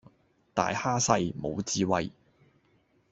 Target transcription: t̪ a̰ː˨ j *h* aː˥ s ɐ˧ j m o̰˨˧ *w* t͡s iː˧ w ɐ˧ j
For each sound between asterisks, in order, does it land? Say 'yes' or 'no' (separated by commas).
yes, yes